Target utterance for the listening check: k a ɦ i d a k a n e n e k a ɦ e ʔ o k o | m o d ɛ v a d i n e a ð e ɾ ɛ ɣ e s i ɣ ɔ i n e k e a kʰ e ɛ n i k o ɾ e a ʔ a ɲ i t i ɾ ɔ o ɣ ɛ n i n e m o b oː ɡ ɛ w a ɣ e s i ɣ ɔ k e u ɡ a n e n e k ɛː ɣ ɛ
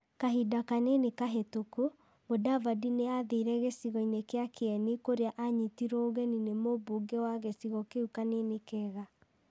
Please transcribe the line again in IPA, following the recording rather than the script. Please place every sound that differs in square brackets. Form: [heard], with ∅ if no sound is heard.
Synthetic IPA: k a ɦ i d a k a n e n e k a ɦ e [t] o k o | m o d [a] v a d i n e a ð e ɾ ɛ ɣ e s i ɣ ɔ i n e k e a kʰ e ɛ n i k o ɾ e a ʔ a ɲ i t i ɾ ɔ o ɣ ɛ n i n e m o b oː ɡ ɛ w a ɣ e s i ɣ ɔ k e u [k] a n e n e k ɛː ɣ [a]

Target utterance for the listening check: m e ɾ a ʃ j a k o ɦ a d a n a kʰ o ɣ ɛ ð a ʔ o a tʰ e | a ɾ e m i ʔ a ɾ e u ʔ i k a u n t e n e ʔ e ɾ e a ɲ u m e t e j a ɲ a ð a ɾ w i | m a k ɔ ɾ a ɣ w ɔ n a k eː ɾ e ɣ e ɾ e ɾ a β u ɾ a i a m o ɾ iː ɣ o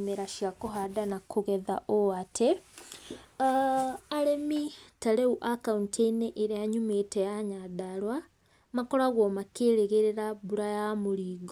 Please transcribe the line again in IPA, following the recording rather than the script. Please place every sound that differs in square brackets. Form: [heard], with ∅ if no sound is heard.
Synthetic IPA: m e ɾ a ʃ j a k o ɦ a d a n a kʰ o ɣ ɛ ð a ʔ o a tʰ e | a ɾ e m i [t] a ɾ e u ʔ [a] k a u n t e n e ʔ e ɾ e a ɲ u m e t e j a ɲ a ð a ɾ w [a] | m a k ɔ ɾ a ɣ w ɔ [m] a k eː ɾ e ɣ e ɾ e ɾ a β u ɾ a [j] a m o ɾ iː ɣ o

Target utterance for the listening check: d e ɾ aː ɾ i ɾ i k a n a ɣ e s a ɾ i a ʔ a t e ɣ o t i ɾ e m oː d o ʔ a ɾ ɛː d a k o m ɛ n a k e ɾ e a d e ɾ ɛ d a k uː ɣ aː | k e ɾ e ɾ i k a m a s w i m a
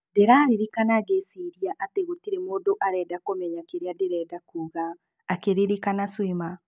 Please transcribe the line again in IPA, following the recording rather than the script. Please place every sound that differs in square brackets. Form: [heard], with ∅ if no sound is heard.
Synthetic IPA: d e ɾ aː ɾ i ɾ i k a n a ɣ e s [i] ɾ i a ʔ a t e ɣ o t i ɾ e m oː d o ʔ a ɾ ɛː d a k o m ɛ [ɲ] a k e ɾ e a d e ɾ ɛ d a k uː ɣ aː | k e ɾ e ɾ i k a [n] a s w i m a

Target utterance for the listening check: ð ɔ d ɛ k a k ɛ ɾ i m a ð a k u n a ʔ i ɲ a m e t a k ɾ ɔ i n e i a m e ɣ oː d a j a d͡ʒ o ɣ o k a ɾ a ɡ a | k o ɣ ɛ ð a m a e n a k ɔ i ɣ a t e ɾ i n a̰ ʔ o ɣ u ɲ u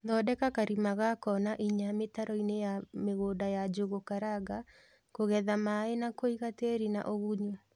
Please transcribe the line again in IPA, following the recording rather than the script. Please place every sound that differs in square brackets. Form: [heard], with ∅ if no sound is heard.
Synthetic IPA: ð ɔ d ɛ k a k [a] ɾ i m a [ɣ] a k [ɔ] n a ʔ i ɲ a m e t a [∅] ɾ ɔ i n e [j] a m e ɣ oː d a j a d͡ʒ o ɣ o k a ɾ a ɡ a | k o ɣ ɛ ð a m a e n a k [o] i ɣ a t e ɾ i n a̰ ʔ o ɣ u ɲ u

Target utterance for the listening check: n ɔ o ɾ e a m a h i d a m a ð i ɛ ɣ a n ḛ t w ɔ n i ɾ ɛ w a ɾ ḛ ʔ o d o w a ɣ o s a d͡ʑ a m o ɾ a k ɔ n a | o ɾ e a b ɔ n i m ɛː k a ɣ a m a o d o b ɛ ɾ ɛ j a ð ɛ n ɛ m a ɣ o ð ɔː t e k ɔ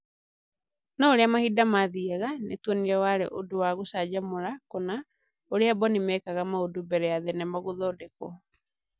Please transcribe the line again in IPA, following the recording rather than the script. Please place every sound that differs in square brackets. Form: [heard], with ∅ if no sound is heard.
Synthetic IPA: n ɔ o ɾ e a m a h i d a m a ð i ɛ ɣ a n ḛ t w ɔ n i ɾ ɛ w a ɾ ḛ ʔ o d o w a ɣ o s a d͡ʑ a m o ɾ a k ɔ n a | o ɾ e a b ɔ n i m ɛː k a ɣ a m a o d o b ɛ ɾ ɛ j a ð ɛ n ɛ m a ɣ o ð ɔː [d] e k ɔ

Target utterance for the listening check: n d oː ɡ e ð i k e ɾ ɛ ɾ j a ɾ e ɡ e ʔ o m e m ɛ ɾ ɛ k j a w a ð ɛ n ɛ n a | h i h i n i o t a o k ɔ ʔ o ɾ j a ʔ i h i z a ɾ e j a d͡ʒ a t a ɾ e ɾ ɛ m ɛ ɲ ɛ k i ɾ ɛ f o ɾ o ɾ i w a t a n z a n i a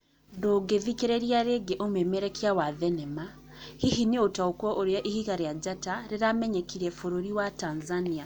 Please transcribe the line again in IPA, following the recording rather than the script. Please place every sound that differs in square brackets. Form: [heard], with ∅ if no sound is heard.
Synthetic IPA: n d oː ɡ e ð i k e ɾ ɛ ɾ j a ɾ e ɡ e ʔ o m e m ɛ ɾ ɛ k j a w a ð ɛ n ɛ [m] a | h i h i n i o t a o k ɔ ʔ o ɾ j a ʔ i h i [ɣ] a ɾ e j a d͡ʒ a t a ɾ e ɾ [a] m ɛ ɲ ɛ k i ɾ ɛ f o ɾ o ɾ i w a t a n z a n i a

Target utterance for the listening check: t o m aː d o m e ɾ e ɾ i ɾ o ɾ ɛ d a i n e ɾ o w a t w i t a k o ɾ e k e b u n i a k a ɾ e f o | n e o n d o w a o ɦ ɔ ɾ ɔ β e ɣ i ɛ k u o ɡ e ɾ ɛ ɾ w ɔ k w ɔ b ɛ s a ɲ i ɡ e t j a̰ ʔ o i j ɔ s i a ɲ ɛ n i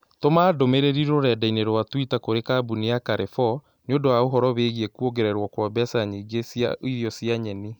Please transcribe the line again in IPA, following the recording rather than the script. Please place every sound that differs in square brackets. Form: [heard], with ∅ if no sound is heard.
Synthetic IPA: t o m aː d o m e ɾ e ɾ i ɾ o ɾ ɛ d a i n e ɾ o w a t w i t a k o ɾ e k [a] b u n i a k a ɾ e f [ɔ] | n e o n d o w a o ɦ ɔ ɾ ɔ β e ɣ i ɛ k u o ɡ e ɾ ɛ ɾ w ɔ k w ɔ b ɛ s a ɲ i ɡ e [s] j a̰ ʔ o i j ɔ s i a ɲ ɛ n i

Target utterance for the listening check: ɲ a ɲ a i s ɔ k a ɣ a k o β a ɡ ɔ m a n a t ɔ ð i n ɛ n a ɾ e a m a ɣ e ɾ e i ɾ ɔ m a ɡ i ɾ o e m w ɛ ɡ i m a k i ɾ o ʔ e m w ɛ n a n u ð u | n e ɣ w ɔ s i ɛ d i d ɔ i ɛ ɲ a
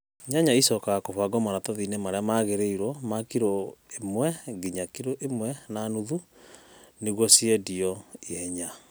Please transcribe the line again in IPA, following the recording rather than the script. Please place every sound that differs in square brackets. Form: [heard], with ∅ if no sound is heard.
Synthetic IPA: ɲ a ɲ a i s ɔ k a ɣ a k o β a ɡ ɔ m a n a t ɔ ð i n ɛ [m] a ɾ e a m a ɣ e ɾ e i ɾ ɔ m a [k] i ɾ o e m w ɛ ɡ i [ɲ] a k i ɾ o ʔ e m w ɛ n a n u ð u | n e ɣ w ɔ s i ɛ d i [∅] ɔ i ɛ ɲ a

